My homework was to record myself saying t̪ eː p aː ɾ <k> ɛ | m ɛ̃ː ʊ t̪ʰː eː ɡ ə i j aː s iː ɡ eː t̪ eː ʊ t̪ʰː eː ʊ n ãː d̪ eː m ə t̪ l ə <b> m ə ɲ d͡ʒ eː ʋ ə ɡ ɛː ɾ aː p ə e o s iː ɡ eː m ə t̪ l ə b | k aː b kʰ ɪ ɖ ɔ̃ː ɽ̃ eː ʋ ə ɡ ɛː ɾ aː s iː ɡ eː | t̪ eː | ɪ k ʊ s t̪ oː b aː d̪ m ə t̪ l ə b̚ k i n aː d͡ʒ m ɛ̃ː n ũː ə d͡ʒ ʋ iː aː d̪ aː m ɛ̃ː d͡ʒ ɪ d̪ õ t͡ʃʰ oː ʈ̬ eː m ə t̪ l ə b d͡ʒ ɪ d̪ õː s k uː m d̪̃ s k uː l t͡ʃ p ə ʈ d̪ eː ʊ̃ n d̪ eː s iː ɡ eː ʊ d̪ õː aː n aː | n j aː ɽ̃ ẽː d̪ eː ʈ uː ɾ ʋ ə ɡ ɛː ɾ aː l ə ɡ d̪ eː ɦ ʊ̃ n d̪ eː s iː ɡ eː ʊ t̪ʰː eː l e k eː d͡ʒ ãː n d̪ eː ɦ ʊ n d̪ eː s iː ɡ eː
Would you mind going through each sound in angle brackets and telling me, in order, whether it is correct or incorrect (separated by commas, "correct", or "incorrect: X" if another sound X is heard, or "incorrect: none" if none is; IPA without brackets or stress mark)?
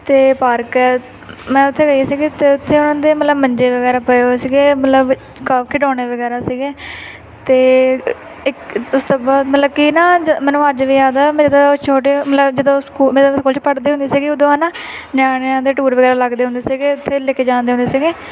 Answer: correct, correct